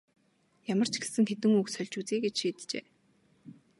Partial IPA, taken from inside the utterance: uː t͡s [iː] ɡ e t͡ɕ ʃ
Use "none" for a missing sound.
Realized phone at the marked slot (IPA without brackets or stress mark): iː